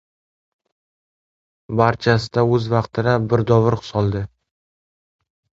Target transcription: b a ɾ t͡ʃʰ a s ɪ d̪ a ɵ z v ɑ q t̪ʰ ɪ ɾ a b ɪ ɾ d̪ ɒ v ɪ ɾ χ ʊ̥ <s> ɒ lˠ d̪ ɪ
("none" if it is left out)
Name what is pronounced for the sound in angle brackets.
s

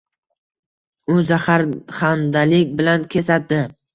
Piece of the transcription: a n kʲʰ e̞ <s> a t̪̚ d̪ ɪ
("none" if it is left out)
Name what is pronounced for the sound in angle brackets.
s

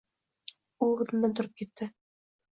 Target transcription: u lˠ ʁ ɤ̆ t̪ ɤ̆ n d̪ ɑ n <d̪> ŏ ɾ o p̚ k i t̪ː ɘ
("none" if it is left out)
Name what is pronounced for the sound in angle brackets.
t̪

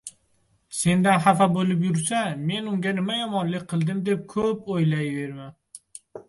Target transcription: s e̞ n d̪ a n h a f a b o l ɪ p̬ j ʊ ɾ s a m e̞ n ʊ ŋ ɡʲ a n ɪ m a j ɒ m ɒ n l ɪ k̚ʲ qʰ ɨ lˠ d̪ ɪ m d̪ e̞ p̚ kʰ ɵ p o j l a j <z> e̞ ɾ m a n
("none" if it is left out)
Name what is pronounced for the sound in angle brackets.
v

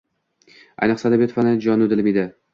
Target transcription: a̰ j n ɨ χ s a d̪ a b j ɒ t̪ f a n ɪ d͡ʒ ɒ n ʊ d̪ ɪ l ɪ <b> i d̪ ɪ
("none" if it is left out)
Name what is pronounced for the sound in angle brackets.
m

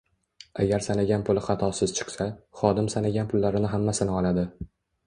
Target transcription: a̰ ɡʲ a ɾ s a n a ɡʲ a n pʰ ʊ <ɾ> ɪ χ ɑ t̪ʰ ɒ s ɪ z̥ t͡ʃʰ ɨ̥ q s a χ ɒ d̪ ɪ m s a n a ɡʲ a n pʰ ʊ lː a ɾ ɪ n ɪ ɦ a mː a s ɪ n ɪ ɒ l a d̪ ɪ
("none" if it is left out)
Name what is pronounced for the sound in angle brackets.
l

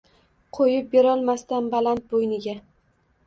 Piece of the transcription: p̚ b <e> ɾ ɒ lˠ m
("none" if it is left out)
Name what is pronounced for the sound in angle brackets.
e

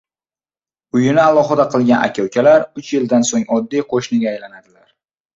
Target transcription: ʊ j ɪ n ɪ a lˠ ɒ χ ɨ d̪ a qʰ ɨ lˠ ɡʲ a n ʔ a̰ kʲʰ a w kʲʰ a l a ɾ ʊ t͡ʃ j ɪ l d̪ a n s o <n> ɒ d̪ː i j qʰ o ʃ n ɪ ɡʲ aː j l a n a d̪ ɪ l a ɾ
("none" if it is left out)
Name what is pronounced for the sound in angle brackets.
ŋ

